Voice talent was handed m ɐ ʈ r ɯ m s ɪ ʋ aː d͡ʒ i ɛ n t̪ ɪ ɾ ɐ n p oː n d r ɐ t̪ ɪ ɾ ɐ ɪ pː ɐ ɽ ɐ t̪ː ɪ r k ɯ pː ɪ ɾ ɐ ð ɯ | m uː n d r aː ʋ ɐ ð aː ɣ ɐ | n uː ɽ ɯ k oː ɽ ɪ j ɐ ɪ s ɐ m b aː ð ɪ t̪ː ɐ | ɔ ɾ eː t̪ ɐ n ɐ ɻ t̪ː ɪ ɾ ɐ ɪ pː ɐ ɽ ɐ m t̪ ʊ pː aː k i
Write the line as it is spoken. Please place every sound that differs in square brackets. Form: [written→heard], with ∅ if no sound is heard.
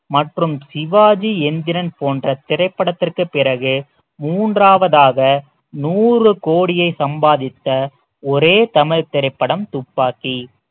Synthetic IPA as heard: m ɐ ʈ r ɯ m s ɪ ʋ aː d͡ʒ i ɛ n [t̪→d̪] ɪ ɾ ɐ n p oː n d r ɐ t̪ ɪ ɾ ɐ ɪ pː ɐ ɽ ɐ t̪ː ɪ r k ɯ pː ɪ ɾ ɐ [ð→ɣ] ɯ | m uː n d r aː ʋ ɐ ð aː ɣ ɐ | n uː [ɽ→r] ɯ k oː ɽ ɪ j ɐ ɪ s ɐ m b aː ð ɪ t̪ː ɐ | ɔ ɾ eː t̪ ɐ [n→m] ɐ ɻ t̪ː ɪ ɾ ɐ ɪ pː ɐ ɽ ɐ m t̪ ʊ pː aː k i

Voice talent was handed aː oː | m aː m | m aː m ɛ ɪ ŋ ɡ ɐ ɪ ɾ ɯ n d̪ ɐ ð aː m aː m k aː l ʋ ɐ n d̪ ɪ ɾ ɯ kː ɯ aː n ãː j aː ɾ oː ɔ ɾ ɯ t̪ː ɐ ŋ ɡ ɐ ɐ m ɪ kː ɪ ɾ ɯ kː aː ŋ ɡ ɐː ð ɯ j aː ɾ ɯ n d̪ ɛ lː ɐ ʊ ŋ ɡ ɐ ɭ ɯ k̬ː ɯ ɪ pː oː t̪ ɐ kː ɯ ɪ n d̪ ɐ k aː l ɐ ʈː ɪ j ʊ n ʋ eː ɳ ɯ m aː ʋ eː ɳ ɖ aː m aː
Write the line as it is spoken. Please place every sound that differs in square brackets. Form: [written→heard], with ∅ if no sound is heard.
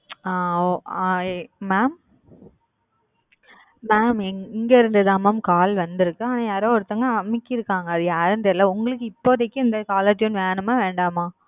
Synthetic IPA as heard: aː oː | m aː m | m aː m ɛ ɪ ŋ ɡ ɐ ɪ ɾ ɯ n d̪ ɐ ð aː m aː m k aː l ʋ ɐ n d̪ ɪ ɾ ɯ kː ɯ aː n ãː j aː ɾ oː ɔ ɾ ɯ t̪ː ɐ ŋ ɡ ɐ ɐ m ɪ kː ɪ ɾ ɯ kː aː ŋ ɡ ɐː ð ɯ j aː ɾ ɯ n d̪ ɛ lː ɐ ʊ ŋ ɡ ɐ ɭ ɯ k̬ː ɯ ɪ pː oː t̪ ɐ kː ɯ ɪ n d̪ ɐ k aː l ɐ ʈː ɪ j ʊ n ʋ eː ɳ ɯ m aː ʋ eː ɳ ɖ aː m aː

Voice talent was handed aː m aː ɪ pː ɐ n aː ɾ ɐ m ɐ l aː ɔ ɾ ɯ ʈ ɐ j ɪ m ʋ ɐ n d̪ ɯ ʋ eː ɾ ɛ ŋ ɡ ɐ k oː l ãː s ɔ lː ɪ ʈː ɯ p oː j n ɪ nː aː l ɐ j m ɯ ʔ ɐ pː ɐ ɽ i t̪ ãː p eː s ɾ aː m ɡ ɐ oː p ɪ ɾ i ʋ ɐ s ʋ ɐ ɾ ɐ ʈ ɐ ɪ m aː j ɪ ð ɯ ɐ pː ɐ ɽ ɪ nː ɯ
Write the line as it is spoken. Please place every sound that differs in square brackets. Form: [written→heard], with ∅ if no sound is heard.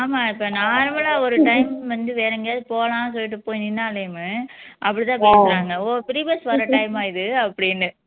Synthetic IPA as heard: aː m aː ɪ pː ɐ n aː ɾ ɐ m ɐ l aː ɔ ɾ ɯ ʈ ɐ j ɪ m ʋ ɐ n d̪ ɯ ʋ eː ɾ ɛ ŋ ɡ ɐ [k→p] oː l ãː s ɔ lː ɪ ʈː ɯ p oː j n ɪ nː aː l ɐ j m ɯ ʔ ɐ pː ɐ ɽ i t̪ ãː p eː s ɾ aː [m→ŋ] ɡ ɐ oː p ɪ ɾ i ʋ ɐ s ʋ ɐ ɾ ɐ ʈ ɐ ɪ m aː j ɪ ð ɯ ɐ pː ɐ ɽ ɪ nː ɯ

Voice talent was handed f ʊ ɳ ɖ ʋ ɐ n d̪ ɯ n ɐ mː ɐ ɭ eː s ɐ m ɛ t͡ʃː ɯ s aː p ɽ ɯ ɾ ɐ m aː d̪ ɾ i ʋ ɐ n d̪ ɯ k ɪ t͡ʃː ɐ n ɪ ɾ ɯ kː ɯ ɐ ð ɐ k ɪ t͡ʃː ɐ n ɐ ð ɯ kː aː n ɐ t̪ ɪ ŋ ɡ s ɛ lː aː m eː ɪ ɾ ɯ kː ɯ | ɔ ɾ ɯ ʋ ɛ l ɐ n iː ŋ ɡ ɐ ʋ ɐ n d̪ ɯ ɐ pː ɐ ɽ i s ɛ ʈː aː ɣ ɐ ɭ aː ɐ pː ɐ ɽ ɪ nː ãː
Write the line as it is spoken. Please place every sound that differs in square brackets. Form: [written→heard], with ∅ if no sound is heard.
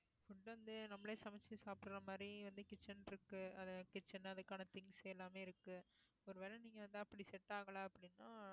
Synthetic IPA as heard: f ʊ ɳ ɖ ʋ ɐ n d̪ ɯ n ɐ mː ɐ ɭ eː s ɐ m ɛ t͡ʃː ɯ s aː p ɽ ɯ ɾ ɐ m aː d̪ ɾ i ʋ ɐ n d̪ ɯ k ɪ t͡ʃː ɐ n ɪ ɾ ɯ kː ɯ ɐ ð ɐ k ɪ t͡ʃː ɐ n ɐ ð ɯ kː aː n ɐ t̪ ɪ ŋ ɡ s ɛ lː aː m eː ɪ ɾ ɯ kː ɯ | ɔ ɾ ɯ ʋ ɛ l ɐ n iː ŋ ɡ ɐ ʋ ɐ n d̪ ɯ ɐ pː ɐ ɽ i s ɛ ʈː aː ɣ ɐ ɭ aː ɐ pː ɐ ɽ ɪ nː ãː

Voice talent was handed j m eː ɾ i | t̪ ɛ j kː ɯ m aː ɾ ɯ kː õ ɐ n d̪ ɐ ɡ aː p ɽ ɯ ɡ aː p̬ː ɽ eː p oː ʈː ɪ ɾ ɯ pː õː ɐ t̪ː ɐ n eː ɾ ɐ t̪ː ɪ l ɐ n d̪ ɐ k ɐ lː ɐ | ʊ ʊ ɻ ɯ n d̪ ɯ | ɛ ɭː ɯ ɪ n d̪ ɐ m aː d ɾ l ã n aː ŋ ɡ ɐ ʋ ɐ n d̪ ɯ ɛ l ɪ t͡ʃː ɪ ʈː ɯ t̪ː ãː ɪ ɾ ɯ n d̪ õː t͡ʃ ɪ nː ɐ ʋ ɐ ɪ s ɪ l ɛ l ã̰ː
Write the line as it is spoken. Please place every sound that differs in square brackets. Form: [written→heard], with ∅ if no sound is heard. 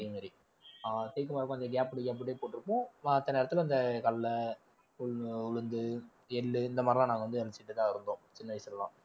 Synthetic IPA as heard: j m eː ɾ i | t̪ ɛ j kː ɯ m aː ɾ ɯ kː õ ɐ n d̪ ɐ ɡ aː p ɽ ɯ ɡ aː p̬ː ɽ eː p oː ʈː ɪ ɾ ɯ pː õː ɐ t̪ː ɐ n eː ɾ ɐ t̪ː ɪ l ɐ n d̪ ɐ k ɐ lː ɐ | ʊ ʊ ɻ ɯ n d̪ ɯ | ɛ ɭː ɯ ɪ n d̪ ɐ m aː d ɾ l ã n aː ŋ ɡ ɐ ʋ ɐ n d̪ ɯ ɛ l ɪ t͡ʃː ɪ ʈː ɯ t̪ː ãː ɪ ɾ ɯ n d̪ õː t͡ʃ ɪ nː ɐ ʋ ɐ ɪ s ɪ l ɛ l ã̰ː

